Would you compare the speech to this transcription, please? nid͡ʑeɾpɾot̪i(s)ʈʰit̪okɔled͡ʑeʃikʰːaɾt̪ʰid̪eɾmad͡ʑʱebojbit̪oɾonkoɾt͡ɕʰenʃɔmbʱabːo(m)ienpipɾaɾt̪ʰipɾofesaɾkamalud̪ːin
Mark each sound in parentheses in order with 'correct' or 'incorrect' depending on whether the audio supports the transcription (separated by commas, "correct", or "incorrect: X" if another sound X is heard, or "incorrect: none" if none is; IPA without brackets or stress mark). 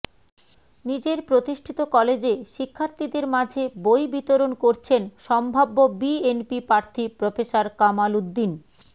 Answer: incorrect: ʃ, incorrect: b